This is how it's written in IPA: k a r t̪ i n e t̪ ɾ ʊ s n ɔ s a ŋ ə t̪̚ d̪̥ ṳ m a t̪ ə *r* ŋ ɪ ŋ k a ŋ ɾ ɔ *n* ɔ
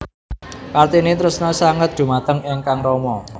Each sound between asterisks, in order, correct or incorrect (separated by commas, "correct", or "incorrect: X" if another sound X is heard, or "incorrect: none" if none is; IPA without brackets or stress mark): incorrect: none, incorrect: m